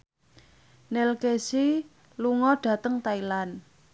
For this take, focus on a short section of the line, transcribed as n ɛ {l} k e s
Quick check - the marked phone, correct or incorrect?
correct